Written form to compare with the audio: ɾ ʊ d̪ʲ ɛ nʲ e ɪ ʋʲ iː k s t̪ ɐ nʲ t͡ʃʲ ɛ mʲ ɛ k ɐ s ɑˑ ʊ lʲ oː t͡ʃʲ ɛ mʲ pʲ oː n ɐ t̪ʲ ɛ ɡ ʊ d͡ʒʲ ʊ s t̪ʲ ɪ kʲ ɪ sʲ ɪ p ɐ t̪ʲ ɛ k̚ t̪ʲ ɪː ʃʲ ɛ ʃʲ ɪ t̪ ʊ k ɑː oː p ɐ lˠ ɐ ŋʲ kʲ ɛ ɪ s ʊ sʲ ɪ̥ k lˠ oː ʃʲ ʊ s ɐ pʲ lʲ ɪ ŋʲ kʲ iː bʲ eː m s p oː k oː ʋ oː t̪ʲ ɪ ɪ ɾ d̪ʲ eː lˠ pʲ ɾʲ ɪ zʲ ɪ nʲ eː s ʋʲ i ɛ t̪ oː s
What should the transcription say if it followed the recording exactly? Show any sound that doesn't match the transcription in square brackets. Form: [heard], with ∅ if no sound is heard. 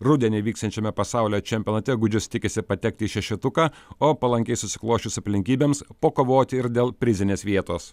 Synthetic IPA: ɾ ʊ d̪ʲ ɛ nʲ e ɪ ʋʲ iː k s t̪ ɐ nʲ t͡ʃʲ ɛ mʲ ɛ [p] ɐ s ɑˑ ʊ lʲ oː t͡ʃʲ ɛ mʲ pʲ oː n ɐ t̪ʲ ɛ ɡ ʊ d͡ʒʲ ʊ s t̪ʲ ɪ kʲ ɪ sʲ ɪ p ɐ t̪ʲ ɛ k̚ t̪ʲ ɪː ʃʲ ɛ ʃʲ ɪ t̪ ʊ k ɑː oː p ɐ lˠ ɐ ŋʲ kʲ ɛ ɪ s ʊ sʲ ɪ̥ k lˠ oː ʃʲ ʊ s ɐ pʲ lʲ ɪ ŋʲ kʲ iː bʲ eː m s p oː k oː ʋ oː t̪ʲ ɪ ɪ ɾ d̪ʲ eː lˠ pʲ ɾʲ ɪ zʲ ɪ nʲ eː s ʋʲ i ɛ t̪ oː s